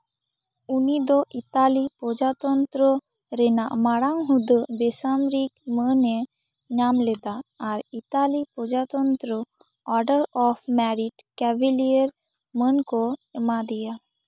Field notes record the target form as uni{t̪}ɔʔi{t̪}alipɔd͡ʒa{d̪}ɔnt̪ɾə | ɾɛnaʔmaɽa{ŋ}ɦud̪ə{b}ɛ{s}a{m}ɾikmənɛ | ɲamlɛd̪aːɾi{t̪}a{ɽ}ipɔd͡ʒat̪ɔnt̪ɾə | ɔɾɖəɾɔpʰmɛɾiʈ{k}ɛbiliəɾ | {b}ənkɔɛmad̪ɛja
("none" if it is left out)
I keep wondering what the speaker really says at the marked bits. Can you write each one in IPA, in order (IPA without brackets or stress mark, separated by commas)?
d̪, t̪, t̪, ŋ, b, s, m, t̪, l, k, m